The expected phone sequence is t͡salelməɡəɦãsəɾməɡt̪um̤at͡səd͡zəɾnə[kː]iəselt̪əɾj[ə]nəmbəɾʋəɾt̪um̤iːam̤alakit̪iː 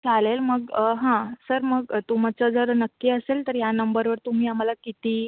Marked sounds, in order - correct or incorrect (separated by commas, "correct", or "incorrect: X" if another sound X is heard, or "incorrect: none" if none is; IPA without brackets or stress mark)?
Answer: correct, incorrect: a